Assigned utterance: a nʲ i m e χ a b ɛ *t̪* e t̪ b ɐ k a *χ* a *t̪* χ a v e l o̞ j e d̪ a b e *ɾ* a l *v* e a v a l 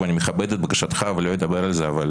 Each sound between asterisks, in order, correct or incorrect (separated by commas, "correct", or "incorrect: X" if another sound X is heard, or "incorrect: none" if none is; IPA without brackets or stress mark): incorrect: d̪, incorrect: ʃ, correct, correct, incorrect: z